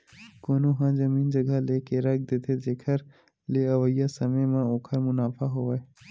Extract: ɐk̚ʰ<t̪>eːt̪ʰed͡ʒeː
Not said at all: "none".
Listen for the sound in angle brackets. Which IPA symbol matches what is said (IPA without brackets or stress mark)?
d̪